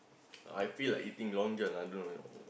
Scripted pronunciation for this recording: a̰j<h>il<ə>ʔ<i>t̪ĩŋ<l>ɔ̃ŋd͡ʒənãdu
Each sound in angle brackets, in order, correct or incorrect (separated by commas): incorrect, incorrect, correct, correct